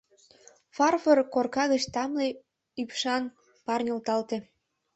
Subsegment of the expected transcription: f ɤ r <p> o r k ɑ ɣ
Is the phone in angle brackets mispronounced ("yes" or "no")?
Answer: yes